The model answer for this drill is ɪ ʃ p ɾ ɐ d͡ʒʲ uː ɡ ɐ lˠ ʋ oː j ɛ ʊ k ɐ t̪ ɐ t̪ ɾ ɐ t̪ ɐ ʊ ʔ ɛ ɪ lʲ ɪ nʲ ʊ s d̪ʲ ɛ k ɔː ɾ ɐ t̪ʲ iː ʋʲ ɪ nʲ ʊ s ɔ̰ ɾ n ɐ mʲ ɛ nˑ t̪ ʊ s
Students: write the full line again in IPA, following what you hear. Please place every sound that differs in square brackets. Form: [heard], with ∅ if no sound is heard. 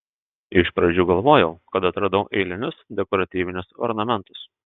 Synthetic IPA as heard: ɪ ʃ p ɾ ɐ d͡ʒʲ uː ɡ ɐ lˠ ʋ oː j ɛ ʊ k ɐ t̪ ɐ t̪ ɾ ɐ [d̪] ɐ ʊ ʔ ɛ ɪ lʲ ɪ nʲ ʊ s d̪ʲ ɛ k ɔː ɾ ɐ t̪ʲ iː ʋʲ ɪ nʲ ʊ s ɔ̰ ɾ n ɐ mʲ ɛ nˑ t̪ ʊ s